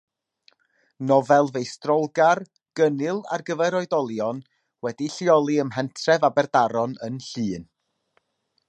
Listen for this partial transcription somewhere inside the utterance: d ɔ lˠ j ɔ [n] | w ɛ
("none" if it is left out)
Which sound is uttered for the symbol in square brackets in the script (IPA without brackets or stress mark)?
n